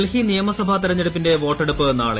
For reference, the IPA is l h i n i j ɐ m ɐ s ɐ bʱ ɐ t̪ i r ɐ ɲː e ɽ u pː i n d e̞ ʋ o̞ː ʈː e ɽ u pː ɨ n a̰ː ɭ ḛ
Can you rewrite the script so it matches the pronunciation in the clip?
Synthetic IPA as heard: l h i n i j ɐ m ɐ s ɐ bʱ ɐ t̪ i ɾ ɐ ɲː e ɽ u pː i n d e̞ ʋ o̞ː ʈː e ɽ u pː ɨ n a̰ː ɭ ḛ